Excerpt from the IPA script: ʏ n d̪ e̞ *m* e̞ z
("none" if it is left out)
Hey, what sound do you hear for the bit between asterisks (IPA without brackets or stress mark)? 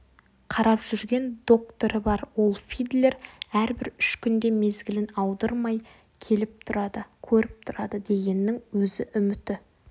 m